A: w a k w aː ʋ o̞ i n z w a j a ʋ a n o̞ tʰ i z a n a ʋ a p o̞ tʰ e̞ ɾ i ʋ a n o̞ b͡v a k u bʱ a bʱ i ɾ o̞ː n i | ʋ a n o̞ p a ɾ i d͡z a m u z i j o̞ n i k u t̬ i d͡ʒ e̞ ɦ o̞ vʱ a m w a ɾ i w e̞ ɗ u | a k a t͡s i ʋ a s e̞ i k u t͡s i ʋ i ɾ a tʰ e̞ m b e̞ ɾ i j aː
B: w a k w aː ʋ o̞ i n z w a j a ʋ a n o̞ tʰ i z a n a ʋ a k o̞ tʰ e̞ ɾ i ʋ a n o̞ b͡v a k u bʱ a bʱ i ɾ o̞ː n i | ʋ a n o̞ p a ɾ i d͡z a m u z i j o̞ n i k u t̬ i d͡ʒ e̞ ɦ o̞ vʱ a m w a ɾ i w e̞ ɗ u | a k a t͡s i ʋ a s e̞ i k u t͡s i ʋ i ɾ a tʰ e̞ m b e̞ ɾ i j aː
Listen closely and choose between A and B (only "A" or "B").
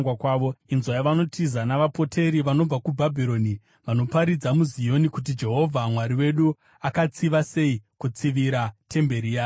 A